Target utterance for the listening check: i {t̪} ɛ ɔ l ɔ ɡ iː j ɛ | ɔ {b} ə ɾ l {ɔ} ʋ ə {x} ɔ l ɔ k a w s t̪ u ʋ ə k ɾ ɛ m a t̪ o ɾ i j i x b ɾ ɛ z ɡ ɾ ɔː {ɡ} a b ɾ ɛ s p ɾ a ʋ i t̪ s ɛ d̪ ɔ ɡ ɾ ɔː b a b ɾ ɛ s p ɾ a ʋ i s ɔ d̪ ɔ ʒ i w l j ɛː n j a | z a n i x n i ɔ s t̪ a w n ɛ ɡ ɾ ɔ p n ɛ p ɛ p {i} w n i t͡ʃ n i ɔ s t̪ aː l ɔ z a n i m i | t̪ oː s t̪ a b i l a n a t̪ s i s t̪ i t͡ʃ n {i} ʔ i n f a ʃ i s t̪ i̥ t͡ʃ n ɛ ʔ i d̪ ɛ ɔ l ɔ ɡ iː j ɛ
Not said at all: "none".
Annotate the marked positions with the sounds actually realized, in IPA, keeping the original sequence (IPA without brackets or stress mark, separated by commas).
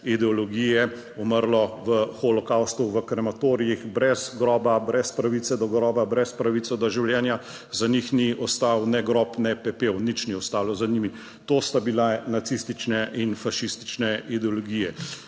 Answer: d̪, m, ɔ, x, b, e, ɛ